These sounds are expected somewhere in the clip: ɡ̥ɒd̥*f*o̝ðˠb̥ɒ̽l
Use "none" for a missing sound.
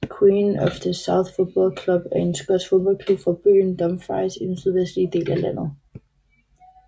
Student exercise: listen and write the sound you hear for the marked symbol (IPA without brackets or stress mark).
f